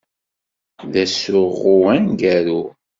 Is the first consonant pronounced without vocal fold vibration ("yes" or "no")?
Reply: no